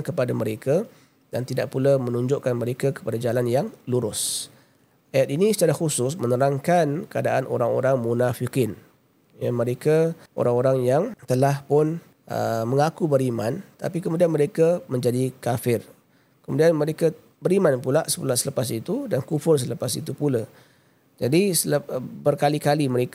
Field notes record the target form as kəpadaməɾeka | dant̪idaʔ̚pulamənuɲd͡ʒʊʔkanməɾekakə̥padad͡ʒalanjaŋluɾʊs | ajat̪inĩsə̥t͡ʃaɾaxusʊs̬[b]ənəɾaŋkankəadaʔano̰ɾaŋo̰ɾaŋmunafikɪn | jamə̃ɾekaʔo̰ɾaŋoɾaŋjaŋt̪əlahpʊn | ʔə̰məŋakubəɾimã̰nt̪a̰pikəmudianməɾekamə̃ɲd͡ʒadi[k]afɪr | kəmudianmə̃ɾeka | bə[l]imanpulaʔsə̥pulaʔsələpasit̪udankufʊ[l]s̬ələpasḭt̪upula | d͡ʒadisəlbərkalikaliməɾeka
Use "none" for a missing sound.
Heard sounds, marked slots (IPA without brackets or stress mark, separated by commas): m, k, ɾ, r